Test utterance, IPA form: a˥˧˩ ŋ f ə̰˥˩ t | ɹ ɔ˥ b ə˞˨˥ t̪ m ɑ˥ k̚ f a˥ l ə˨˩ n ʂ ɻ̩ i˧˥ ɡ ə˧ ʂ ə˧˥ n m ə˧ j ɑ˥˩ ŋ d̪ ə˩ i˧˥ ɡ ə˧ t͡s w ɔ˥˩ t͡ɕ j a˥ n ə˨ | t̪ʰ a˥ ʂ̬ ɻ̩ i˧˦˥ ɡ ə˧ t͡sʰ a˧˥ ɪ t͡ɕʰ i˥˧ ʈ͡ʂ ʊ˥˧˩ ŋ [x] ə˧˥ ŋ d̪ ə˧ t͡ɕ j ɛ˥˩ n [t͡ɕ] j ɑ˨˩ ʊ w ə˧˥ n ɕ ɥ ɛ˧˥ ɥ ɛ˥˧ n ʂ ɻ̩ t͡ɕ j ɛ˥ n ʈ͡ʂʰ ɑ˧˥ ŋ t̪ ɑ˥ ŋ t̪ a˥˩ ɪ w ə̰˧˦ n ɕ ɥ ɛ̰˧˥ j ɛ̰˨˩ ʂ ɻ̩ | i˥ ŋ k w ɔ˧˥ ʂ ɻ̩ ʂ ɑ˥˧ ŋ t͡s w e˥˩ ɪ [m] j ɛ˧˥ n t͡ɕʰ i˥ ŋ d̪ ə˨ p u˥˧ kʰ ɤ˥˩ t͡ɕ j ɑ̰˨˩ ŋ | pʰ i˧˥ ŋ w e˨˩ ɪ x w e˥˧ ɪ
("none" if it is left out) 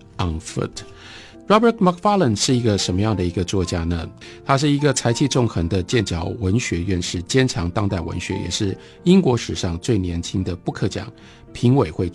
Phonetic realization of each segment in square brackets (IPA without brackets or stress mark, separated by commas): x, t͡ɕ, n